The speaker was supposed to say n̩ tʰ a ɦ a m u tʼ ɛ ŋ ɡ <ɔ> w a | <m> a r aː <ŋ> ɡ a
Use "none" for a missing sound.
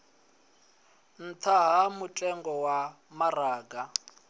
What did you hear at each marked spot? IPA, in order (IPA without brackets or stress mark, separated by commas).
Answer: ɔ, m, none